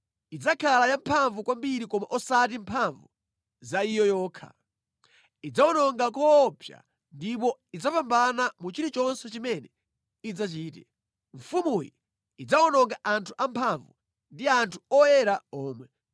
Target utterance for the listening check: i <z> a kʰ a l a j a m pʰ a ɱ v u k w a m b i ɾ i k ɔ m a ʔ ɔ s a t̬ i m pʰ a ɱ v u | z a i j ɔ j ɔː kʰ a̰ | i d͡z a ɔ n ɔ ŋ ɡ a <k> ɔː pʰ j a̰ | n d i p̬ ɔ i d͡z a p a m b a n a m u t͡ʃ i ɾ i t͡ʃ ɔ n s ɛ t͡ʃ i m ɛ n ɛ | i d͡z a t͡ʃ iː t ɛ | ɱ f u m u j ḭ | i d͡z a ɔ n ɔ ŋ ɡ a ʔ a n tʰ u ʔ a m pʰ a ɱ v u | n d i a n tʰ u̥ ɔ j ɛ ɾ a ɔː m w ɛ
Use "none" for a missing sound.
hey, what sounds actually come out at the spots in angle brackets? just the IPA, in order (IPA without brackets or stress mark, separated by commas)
d͡z, k